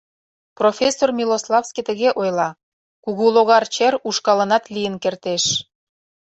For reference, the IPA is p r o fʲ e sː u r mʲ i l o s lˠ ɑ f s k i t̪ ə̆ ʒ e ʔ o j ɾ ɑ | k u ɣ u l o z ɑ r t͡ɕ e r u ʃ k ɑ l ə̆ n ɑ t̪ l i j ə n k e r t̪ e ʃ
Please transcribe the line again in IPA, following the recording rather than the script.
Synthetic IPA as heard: p r o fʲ e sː o r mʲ i l o s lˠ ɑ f s k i t̪ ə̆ ɣ e ʔ o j l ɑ | k u ɣ u l o ɣ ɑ r t͡ɕ e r u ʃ k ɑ l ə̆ n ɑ t̪ l i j ə n k e r t̪ e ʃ